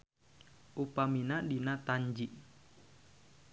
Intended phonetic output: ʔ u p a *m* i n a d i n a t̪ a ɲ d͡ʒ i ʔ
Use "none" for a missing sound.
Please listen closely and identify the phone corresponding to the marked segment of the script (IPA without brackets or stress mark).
m